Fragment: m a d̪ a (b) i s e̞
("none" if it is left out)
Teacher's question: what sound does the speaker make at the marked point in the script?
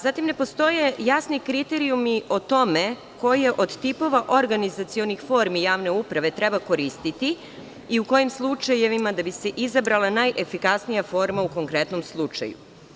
b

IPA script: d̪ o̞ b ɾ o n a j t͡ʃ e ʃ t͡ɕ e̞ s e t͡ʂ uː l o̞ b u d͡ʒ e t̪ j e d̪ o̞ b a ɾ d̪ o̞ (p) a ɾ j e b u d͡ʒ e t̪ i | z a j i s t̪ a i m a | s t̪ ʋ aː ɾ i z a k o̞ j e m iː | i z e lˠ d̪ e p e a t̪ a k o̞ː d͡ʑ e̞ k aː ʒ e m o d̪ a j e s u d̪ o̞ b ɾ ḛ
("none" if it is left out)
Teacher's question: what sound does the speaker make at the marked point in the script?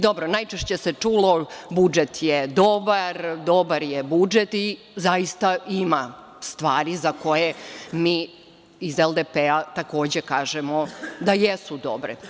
b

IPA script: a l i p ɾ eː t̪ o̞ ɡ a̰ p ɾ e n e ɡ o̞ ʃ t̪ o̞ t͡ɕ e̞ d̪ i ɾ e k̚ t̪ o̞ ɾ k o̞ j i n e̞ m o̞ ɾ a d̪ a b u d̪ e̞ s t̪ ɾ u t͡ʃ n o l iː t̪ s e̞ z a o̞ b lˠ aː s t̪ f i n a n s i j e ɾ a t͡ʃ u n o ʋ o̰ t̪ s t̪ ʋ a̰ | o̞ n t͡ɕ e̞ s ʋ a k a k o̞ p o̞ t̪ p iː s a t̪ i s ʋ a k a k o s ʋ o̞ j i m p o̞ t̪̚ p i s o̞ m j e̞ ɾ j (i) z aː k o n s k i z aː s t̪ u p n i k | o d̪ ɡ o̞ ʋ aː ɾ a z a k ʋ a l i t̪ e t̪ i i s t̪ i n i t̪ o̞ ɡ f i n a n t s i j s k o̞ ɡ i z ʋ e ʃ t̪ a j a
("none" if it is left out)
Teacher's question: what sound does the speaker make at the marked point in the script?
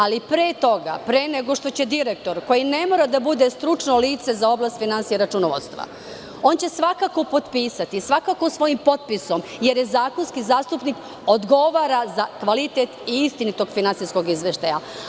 e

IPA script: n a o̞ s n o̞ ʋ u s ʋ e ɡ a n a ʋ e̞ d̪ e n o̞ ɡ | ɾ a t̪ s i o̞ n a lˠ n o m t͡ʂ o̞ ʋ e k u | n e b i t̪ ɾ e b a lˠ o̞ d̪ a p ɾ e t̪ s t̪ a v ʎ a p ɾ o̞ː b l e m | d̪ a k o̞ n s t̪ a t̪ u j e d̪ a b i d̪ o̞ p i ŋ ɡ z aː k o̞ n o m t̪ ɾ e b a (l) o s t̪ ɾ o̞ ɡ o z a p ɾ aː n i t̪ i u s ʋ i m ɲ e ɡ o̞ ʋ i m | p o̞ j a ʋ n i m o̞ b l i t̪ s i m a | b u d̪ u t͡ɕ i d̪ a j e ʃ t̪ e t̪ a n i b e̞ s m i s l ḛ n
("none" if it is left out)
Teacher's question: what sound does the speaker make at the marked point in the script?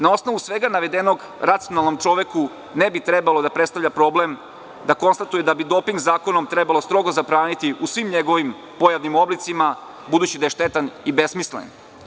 l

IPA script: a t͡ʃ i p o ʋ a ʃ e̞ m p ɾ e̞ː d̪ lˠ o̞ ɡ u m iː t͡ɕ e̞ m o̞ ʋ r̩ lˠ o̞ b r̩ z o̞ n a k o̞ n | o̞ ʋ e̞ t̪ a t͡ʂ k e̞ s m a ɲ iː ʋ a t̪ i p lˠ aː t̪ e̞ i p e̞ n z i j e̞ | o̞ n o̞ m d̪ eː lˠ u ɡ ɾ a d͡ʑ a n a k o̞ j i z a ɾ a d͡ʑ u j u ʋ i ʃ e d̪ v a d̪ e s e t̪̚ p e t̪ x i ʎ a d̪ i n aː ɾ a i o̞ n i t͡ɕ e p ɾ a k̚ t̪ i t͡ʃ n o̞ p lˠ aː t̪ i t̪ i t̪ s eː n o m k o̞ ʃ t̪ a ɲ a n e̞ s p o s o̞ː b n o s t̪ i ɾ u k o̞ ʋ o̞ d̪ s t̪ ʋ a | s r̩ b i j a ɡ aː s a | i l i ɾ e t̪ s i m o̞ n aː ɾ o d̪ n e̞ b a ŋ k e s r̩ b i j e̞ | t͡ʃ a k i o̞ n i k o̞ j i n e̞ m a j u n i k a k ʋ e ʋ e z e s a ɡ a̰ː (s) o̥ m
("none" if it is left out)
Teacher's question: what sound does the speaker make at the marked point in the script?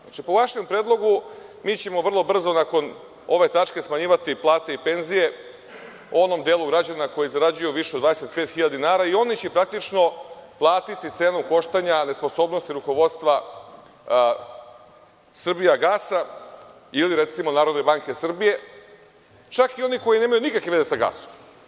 s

